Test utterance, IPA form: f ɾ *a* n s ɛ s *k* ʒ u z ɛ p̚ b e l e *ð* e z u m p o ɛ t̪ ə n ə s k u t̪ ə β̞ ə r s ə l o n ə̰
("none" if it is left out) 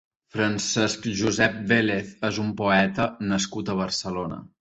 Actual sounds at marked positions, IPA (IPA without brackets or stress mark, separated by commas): ə, k, θ